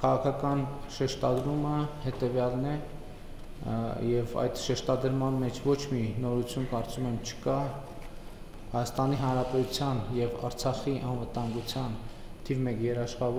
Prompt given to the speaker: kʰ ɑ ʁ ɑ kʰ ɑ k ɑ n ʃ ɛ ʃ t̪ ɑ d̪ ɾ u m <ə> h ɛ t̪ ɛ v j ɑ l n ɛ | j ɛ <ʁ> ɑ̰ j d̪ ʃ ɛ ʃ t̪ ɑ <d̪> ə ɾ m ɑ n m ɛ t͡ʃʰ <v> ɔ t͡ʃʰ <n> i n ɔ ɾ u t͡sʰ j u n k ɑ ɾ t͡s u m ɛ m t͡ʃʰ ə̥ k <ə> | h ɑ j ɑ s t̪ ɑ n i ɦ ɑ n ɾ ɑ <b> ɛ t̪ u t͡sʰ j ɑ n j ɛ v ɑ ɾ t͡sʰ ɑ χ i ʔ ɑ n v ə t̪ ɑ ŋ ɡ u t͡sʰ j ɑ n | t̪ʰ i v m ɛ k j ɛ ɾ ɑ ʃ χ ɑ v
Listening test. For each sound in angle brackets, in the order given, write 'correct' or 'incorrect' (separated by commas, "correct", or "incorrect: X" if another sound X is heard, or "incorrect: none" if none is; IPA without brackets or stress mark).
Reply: correct, incorrect: v, correct, correct, incorrect: m, incorrect: ɑ, incorrect: p